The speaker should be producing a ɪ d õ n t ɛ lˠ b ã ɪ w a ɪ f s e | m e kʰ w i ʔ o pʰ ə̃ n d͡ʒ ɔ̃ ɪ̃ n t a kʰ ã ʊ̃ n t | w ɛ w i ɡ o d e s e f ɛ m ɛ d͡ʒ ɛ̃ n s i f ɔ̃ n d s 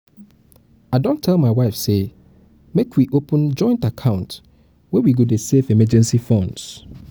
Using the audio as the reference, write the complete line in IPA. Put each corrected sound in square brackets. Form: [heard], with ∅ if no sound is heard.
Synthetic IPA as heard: a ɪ d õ n [tʰ] ɛ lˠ [m] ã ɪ w a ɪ f s e | m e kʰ w i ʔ o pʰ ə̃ n d͡ʒ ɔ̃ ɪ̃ n t a kʰ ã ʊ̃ n t | w ɛ w i ɡ o d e s e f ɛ m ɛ d͡ʒ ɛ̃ n s i f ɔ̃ n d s